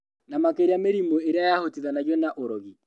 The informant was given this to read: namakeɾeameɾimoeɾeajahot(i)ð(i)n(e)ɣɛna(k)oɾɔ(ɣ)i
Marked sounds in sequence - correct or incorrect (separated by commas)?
correct, incorrect, incorrect, incorrect, correct